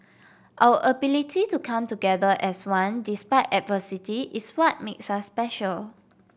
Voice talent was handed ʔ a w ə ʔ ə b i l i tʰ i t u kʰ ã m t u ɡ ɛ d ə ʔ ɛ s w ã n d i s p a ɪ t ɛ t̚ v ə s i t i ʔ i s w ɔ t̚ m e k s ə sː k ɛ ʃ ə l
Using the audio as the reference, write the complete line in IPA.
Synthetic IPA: ʔ a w ə ʔ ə b i l i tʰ i t u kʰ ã m t u ɡ ɛ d ə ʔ ɛ s w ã n d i s p a ɪ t ɛ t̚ v ə s i t i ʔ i s w ɔ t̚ m e k s a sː p ɛ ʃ ə l